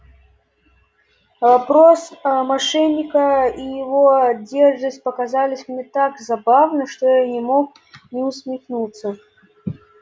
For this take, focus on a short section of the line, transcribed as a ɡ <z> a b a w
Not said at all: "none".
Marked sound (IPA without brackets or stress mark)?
z